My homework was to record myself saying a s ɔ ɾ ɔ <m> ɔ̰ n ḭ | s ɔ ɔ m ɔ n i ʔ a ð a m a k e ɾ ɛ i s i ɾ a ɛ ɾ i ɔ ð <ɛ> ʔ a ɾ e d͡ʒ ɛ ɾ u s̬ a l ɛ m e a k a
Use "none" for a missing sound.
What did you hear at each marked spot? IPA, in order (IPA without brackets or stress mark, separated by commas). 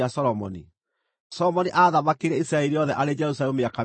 m, ɛ